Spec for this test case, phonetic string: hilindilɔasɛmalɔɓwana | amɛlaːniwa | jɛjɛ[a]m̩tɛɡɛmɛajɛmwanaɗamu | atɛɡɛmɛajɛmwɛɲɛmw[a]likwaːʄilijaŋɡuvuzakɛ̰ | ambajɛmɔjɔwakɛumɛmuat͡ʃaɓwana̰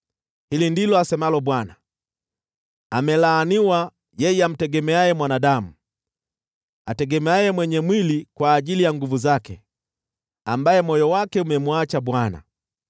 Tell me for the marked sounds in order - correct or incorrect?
correct, incorrect

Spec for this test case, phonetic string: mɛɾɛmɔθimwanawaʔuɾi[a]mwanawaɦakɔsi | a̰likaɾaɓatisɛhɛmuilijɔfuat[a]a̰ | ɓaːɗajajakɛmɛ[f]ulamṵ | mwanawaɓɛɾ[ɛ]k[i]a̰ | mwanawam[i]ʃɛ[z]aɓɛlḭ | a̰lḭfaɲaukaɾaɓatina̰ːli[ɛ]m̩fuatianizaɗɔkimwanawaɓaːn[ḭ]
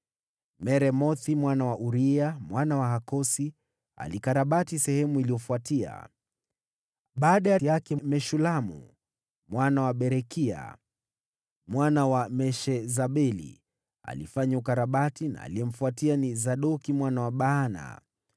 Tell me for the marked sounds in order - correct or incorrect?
correct, incorrect, incorrect, correct, correct, incorrect, correct, correct, incorrect

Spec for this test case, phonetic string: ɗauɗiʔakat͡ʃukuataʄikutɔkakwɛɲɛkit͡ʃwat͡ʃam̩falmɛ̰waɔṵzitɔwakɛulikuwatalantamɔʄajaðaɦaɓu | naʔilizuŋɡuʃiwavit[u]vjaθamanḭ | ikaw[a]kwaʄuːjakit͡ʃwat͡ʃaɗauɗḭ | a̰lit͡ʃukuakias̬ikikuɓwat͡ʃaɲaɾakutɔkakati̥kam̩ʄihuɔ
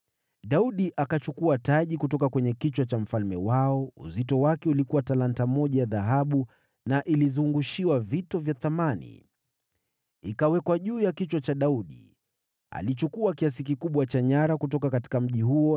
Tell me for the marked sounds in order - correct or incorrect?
incorrect, incorrect

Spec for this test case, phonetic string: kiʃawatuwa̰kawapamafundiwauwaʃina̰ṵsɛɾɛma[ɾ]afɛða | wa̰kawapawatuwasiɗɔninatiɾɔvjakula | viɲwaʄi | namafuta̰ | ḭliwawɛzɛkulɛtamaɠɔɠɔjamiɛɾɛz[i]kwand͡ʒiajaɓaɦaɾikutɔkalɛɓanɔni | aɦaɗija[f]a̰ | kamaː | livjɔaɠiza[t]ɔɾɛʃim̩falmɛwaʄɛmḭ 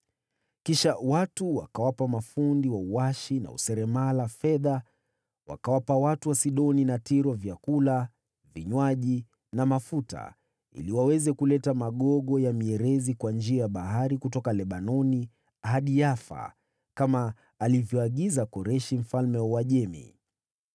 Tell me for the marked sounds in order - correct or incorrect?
incorrect, correct, correct, incorrect

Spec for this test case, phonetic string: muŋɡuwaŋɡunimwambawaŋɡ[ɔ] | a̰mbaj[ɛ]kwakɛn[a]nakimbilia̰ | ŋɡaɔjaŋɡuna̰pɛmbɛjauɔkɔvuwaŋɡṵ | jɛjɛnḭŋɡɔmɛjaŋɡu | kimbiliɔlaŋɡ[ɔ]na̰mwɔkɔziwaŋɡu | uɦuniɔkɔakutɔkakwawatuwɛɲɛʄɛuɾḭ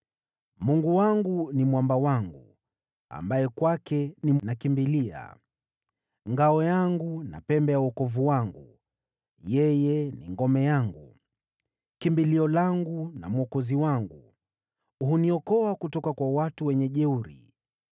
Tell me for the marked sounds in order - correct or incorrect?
incorrect, correct, incorrect, incorrect

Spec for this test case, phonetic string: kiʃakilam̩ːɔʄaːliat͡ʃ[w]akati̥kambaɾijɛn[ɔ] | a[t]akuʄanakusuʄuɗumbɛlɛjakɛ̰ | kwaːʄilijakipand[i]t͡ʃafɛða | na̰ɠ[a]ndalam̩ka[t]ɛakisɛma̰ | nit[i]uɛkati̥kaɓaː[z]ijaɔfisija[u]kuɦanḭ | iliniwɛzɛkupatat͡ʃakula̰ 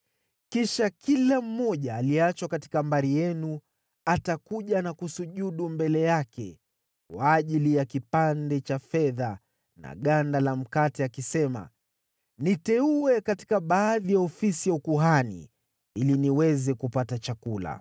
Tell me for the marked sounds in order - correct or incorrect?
correct, incorrect, correct, incorrect, correct, correct, incorrect, incorrect, correct

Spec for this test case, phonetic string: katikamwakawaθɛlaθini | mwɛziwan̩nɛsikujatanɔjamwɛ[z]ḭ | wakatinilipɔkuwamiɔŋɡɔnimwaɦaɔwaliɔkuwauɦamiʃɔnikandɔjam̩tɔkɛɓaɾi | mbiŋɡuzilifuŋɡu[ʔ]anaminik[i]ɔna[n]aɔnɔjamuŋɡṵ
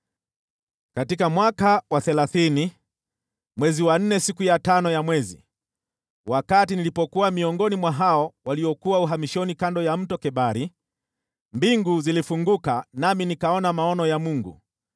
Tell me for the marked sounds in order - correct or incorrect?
correct, incorrect, incorrect, incorrect

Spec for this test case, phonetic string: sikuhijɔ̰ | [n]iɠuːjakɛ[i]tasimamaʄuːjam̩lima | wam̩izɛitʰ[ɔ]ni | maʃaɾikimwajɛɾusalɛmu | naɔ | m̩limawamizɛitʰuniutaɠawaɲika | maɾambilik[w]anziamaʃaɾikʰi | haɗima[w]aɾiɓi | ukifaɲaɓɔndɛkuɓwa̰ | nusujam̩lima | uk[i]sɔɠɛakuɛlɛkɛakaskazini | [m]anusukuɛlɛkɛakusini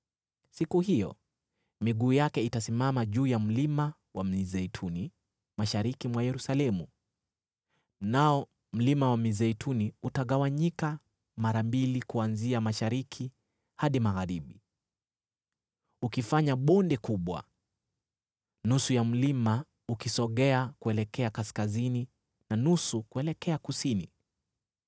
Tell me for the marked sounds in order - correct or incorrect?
incorrect, correct, incorrect, incorrect, incorrect, correct, incorrect

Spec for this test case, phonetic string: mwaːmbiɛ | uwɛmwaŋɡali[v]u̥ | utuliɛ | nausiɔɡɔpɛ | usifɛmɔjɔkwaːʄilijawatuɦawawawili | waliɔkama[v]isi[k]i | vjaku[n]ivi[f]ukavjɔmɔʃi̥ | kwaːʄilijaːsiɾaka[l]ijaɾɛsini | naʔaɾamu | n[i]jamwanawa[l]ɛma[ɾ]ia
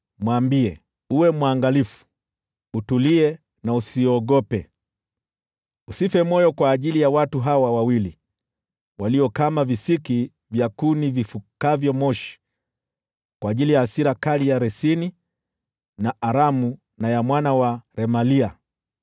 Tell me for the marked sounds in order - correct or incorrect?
incorrect, correct, correct, correct, correct, correct, incorrect, incorrect, incorrect

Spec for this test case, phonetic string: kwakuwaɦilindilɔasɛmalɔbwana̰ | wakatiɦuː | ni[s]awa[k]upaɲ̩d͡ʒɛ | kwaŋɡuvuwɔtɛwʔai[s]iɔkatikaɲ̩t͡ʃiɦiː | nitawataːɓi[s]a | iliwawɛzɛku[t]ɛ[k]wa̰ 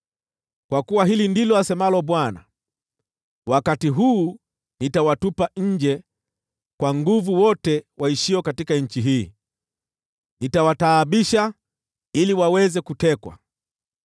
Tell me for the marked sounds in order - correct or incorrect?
incorrect, incorrect, incorrect, incorrect, correct, correct

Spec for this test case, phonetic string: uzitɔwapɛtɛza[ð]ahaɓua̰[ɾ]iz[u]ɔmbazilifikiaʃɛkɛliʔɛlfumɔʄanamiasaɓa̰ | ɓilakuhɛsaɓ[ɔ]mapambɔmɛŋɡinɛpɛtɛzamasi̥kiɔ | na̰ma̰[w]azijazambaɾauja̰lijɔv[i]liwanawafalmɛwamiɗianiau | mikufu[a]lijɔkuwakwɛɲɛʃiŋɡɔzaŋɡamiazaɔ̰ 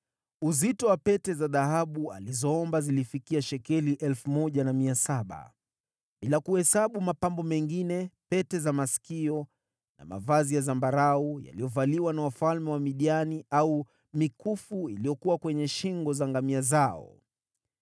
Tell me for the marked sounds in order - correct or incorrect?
correct, incorrect, incorrect, incorrect, incorrect, incorrect, incorrect

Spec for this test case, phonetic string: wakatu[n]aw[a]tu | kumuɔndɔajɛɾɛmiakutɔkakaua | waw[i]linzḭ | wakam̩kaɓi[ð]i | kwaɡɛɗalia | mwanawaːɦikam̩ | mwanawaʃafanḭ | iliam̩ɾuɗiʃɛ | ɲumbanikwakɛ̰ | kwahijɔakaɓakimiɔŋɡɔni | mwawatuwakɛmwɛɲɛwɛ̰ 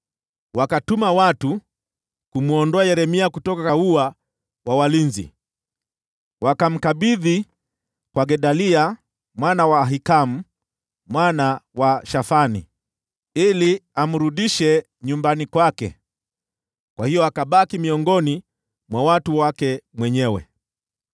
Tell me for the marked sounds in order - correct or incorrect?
incorrect, correct, incorrect, correct

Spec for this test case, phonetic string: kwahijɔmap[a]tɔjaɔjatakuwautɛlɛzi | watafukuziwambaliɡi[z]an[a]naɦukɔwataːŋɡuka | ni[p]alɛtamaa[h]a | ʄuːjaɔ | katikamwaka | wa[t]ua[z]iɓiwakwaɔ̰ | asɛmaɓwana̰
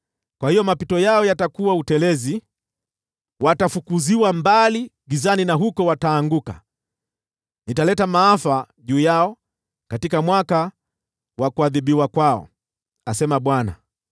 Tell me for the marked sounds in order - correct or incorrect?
incorrect, correct, incorrect, incorrect, incorrect, incorrect, incorrect

